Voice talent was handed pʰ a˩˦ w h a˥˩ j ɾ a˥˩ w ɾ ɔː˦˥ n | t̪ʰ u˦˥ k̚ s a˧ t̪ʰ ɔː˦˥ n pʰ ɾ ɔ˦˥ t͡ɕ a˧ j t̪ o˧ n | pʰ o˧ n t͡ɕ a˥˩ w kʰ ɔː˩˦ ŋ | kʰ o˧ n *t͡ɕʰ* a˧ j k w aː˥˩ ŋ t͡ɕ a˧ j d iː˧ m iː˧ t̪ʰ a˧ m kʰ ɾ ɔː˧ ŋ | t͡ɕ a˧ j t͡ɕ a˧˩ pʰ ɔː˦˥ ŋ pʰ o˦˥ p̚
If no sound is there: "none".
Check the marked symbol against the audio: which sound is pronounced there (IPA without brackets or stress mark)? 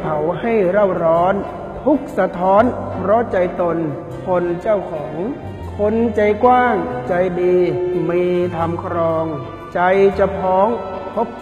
t͡ɕ